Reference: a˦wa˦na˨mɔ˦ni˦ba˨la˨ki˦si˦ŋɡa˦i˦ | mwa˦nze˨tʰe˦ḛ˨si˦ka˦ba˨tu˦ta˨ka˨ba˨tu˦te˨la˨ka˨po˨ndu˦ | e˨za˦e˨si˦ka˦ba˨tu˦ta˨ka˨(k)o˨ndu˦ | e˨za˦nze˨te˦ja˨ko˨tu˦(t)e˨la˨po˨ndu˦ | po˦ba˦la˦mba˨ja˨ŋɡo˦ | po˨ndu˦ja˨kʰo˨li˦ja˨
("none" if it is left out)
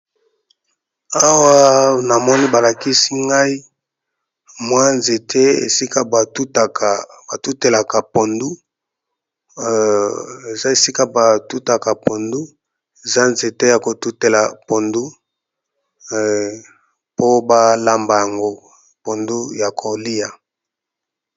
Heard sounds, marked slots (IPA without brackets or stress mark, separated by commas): p, t